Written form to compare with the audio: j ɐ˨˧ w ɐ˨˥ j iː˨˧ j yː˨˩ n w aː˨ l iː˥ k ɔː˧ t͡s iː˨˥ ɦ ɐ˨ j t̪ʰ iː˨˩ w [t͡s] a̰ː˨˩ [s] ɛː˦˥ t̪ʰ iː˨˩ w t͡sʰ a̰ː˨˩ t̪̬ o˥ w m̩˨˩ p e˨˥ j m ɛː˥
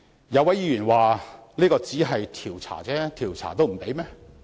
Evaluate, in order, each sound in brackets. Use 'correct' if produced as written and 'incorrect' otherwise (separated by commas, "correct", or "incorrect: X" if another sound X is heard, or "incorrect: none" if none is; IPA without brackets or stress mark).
incorrect: t͡sʰ, incorrect: t͡s